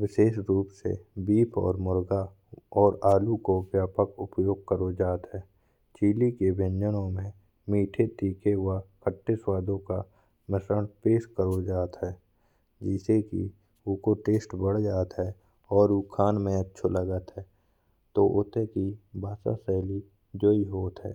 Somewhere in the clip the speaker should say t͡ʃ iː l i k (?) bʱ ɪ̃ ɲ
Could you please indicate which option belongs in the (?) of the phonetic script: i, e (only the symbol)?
e